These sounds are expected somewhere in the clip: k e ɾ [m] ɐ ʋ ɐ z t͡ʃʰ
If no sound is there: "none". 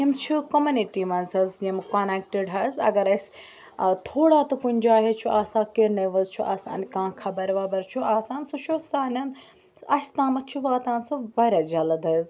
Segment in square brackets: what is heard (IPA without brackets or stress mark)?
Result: n